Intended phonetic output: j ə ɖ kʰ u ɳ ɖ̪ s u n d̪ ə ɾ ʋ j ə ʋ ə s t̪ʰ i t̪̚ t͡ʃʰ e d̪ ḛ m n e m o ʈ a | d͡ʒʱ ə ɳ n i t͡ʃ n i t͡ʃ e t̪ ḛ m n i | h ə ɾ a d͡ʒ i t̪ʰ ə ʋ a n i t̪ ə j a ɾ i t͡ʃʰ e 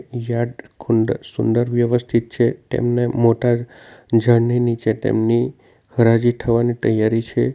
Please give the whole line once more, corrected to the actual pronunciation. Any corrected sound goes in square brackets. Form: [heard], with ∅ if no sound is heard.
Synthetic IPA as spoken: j [a] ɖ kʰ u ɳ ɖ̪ s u n d̪ ə ɾ ʋ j ə ʋ ə s t̪ʰ i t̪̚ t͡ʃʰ e [t̪] ḛ m n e m o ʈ a | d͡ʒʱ ə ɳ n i [∅] n i t͡ʃ e t̪ ḛ m n i | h ə ɾ a d͡ʒ i t̪ʰ ə ʋ a n i t̪ ə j a ɾ i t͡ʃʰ e